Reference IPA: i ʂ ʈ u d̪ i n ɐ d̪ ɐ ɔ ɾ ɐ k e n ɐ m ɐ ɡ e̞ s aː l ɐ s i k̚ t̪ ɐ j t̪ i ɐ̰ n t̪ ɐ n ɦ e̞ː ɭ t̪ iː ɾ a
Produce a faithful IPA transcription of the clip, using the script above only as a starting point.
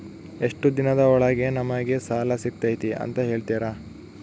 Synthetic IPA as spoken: e ʂ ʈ u d̪ i n ɐ d̪ ɐ ɔ ɭ ɐ ɡ e n ɐ m ɐ ɡ e̞ s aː l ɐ s i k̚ t̪ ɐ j t̪ i ɐ̰ n t̪ ɐ ɦ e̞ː ɭ t̪ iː ɾ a

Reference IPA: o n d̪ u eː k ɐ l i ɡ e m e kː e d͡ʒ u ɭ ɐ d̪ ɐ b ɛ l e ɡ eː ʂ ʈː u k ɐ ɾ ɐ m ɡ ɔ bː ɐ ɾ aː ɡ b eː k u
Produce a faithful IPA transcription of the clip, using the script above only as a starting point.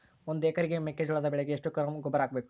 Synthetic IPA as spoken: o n d̪ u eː k ɐ ɾ i ɡ e m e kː e d͡ʒ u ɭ ɐ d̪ ɐ b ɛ ɭ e ɡ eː ʂ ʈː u k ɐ ɾ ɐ m ɡ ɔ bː ɐ ɾ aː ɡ b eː k u

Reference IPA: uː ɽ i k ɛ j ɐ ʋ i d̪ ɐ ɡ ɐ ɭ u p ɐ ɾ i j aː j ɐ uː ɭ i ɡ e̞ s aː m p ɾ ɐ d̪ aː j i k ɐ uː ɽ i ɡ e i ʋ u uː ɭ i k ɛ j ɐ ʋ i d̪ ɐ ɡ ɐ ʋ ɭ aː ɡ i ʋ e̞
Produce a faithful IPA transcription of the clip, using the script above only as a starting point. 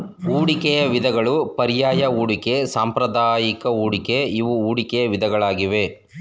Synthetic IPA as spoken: uː ɽ i k ɛ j ɐ ʋ i d̪ ɐ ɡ ɐ ɭ u p ɐ ɾ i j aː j ɐ uː ɽ i k e̞ s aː m p ɾ ɐ d̪ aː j i k ɐ uː ɽ i k e i ʋ u uː ɽ i k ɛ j ɐ ʋ i d̪ ɐ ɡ ɐ ɭ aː ɡ i ʋ e̞

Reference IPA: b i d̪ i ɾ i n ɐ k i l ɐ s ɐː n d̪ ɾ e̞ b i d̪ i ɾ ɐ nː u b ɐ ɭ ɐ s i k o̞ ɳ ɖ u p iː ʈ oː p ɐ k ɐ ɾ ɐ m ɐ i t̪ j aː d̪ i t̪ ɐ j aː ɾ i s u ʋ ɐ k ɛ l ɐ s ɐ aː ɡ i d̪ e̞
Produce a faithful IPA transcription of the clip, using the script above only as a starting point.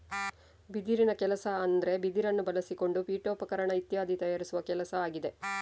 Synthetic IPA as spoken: b i d̪ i ɾ i n ɐ k ɛ l ɐ s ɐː n d̪ ɾ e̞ b i d̪ i ɾ ɐ nː u b ɐ l ɐ s i k o̞ ɳ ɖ u p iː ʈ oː p ɐ k ɐ ɾ ɐ ɳ ɐ i t̪ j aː d̪ i t̪ ɐ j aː ɾ i s u ʋ ɐ k ɛ l ɐ s ɐ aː ɡ i d̪ e̞

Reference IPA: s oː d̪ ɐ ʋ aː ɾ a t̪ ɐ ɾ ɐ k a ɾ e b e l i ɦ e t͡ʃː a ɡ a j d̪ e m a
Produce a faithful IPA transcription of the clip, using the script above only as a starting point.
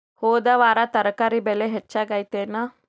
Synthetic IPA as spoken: h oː d̪ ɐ ʋ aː ɾ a t̪ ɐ ɾ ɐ k a ɾ i b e l e ɦ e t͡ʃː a ɡ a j t̪ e n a

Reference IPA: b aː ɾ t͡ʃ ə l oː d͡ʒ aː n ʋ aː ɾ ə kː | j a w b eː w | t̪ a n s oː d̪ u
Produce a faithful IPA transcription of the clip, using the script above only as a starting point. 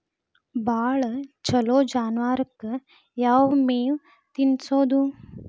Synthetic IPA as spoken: b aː ɭ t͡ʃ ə l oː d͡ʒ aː n ʋ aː ɾ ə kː | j a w m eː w | t̪ i n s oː d̪ u

